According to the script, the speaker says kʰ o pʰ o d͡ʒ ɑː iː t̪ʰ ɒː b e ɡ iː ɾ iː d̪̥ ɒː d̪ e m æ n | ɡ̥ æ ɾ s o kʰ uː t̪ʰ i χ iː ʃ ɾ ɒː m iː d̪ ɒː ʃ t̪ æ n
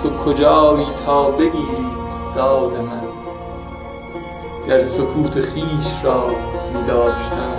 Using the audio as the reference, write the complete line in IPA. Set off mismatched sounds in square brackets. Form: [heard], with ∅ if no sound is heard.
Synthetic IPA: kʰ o [kʰ] o d͡ʒ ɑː iː t̪ʰ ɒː b e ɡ iː ɾ iː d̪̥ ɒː d̪ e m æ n | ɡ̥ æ ɾ s o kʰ uː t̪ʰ [e] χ iː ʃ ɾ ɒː m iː d̪ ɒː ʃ t̪ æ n